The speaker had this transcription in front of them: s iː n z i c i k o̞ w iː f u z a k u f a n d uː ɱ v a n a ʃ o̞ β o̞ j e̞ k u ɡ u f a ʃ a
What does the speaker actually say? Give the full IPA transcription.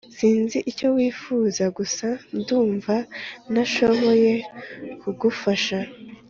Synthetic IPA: s iː n z i ʔ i c o̞ w iː f u z a ɡ u s a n d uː ɱ v a n a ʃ o̞ β o̞ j e̞ k u ɡ u f a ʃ a